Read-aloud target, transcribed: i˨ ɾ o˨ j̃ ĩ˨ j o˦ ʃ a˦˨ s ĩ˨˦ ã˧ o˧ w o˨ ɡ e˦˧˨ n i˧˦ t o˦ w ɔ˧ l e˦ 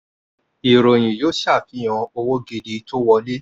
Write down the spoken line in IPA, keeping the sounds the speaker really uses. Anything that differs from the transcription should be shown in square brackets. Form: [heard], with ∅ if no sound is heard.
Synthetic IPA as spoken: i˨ ɾ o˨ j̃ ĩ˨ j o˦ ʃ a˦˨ [f] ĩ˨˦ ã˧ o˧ w [o˦] ɡ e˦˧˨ [d] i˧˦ t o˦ w ɔ˧ l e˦